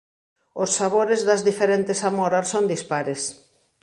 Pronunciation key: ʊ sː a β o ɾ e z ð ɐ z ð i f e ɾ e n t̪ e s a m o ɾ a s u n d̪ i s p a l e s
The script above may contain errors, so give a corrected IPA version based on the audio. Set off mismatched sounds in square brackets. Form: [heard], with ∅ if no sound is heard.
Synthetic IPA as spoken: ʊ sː a β o ɾ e z ð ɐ z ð i f e ɾ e n t̪ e s a m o ɾ a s [o] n d̪ i s p a [ɾ] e s

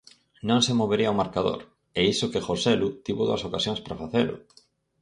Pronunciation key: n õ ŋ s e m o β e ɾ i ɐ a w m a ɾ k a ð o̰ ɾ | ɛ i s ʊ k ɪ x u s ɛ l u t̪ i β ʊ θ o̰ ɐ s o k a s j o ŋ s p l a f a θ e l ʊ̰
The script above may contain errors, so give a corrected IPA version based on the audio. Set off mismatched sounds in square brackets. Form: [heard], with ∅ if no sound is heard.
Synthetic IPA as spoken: n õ ŋ s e m o β e ɾ i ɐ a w m a ɾ k a ð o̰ ɾ | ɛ i s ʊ k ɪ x [o] s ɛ l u t̪ i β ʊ [ð] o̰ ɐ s o k a s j o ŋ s p [ɾ] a f a θ e l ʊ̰

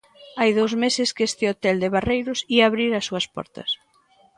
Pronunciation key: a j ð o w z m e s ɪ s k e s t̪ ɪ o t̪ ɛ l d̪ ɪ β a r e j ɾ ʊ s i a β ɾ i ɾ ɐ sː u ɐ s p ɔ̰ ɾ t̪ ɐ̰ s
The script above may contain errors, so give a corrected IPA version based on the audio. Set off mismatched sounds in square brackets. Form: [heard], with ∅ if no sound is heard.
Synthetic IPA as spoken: a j ð o w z m e s ɪ s k e s t̪ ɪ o t̪ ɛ l d̪ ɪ β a r e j ɾ ʊ s i a β ɾ i ɾ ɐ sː u ɐ s p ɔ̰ ɾ t̪ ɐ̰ s

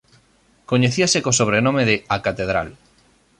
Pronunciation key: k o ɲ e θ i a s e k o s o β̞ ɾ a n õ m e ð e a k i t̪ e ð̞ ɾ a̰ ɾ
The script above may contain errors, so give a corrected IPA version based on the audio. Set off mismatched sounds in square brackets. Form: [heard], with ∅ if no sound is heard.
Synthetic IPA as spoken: k o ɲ e θ i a s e k o s o β̞ ɾ [e] n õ m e ð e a k [a] t̪ e ð̞ ɾ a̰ [l]

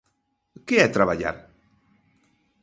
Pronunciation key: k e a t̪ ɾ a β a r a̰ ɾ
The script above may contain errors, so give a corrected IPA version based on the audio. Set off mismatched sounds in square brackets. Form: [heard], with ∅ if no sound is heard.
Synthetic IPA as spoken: k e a t̪ ɾ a β a [ʎ] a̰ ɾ

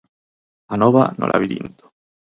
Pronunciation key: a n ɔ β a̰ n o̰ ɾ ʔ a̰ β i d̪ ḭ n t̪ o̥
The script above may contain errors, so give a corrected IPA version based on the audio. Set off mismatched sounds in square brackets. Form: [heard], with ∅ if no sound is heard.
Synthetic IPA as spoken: a n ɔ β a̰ n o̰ [l] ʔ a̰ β i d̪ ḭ n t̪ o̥

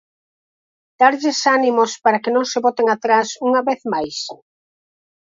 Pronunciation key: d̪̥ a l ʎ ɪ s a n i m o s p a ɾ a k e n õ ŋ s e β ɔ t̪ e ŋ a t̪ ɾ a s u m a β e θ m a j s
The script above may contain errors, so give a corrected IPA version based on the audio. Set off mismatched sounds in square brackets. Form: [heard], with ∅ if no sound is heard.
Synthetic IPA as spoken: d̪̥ a [ɾ] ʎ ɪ s a n i m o s p a ɾ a k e n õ ŋ s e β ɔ t̪ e ŋ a t̪ ɾ a s u [ŋ] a β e θ m a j s

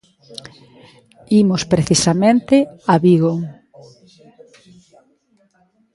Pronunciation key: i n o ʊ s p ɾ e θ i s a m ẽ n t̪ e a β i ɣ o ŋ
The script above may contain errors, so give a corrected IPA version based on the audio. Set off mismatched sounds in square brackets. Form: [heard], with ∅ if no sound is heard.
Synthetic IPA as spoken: i [m] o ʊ s p ɾ e θ i s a m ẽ n t̪ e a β i ɣ o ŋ

